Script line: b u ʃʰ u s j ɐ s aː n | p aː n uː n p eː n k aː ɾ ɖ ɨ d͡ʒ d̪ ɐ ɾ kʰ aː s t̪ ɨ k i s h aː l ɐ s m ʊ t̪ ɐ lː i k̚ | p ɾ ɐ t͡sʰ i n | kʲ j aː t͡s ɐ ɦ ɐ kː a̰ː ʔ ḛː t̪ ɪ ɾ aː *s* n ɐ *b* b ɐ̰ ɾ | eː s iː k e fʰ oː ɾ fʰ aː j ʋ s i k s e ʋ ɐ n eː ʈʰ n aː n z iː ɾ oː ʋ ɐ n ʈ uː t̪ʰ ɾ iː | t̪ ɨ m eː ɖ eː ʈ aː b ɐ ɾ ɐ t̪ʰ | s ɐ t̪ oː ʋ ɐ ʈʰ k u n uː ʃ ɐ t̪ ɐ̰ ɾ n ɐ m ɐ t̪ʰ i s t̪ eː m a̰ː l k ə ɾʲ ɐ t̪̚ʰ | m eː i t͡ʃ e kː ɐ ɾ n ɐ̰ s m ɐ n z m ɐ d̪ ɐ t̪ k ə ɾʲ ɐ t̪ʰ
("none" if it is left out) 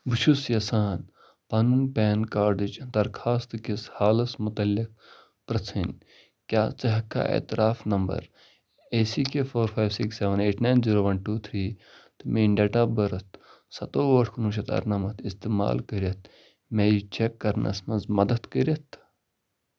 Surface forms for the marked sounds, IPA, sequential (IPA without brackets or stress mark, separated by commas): f, m